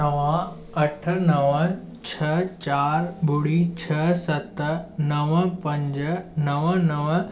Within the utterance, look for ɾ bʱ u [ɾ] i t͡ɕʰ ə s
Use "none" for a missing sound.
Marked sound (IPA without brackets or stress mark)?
ɽ